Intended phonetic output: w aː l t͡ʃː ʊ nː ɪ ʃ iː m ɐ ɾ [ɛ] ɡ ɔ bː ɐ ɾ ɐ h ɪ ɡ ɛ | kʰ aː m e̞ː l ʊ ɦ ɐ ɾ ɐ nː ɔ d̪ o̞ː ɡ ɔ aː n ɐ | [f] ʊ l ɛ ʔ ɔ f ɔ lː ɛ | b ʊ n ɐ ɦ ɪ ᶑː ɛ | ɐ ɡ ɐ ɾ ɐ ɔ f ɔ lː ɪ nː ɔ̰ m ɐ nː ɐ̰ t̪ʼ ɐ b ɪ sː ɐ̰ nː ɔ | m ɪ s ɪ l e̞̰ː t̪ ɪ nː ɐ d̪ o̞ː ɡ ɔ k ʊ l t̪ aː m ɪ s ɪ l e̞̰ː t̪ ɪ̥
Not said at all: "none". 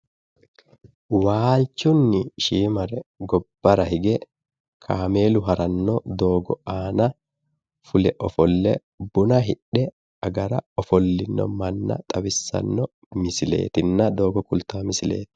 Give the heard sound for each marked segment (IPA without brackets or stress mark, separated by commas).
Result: ɛ, f